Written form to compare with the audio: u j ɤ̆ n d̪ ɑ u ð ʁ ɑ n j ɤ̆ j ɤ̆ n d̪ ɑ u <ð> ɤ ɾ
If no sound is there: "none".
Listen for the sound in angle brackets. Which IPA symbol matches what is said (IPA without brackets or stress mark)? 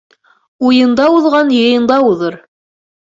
ð